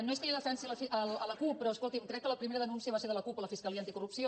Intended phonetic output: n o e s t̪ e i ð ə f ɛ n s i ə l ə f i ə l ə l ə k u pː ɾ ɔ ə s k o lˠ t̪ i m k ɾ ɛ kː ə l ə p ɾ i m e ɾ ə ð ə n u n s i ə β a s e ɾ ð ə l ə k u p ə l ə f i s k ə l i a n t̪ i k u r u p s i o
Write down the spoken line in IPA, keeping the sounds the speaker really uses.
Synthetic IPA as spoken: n o e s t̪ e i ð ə f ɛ n s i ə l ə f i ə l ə l ə k u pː ɾ ɔ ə s k o lˠ t̪ i m k ɾ ɛ kː ə l ə p ɾ i m e ɾ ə ð ə n u n s i ə β a s e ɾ ð ə l ə k u p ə l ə f i s k ə l i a n t̪ i k u r u p s i o